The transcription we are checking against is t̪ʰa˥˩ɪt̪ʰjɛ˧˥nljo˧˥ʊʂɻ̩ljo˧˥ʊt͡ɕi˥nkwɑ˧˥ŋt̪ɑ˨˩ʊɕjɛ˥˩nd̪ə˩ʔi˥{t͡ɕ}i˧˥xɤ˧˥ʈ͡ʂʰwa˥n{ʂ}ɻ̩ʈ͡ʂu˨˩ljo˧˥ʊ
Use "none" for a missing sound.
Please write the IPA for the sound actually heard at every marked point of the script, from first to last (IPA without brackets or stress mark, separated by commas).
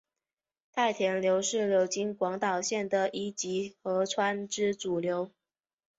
t͡ɕ, ʈ͡ʂ